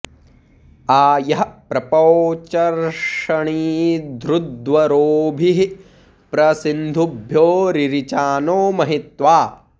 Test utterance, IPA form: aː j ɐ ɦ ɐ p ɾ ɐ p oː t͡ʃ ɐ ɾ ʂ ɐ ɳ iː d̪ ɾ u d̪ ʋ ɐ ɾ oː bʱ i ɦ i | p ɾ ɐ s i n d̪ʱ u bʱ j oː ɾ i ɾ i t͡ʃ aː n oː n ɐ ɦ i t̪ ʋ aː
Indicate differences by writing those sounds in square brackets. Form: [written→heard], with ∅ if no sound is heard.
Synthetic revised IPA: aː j ɐ ɦ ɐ p ɾ ɐ p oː t͡ʃ ɐ ɾ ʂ ɐ ɳ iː d̪ ɾ u d̪ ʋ ɐ ɾ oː bʱ i ɦ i | p ɾ ɐ s i n d̪ʱ u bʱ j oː ɾ i ɾ i t͡ʃ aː n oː [n→m] ɐ ɦ i t̪ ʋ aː